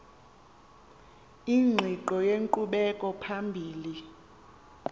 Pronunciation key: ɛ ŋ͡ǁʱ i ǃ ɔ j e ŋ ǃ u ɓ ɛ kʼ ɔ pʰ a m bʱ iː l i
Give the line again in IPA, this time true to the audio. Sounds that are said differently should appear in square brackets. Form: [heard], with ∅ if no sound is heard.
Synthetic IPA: [i] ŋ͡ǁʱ i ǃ ɔ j e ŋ ǃ u ɓ ɛ kʼ ɔ pʰ a m bʱ iː l i